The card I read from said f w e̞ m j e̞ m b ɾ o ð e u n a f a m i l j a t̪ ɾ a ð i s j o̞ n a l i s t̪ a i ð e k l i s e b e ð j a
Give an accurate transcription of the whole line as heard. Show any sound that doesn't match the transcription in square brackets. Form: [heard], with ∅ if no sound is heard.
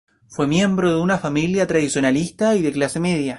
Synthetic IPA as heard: f w e̞ m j e̞ m b ɾ o ð e u n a f a m i l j a t̪ ɾ a ð i s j o̞ n a l i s t̪ a i ð e k l [a] s e [m] e ð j a